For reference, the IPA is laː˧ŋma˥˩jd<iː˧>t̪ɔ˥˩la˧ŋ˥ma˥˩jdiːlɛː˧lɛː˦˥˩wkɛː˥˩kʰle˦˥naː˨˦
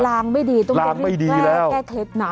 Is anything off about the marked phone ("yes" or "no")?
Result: no